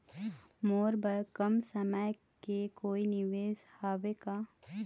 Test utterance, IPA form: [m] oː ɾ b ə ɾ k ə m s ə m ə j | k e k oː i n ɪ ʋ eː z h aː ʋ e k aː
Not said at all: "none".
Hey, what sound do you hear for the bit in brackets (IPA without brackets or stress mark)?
m